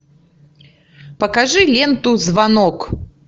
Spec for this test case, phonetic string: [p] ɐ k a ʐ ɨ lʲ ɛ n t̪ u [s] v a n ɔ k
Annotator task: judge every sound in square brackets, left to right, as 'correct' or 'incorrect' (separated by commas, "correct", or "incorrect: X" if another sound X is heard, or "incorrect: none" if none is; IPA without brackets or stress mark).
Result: correct, incorrect: z